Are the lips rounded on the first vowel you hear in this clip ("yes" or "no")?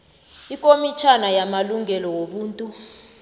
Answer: no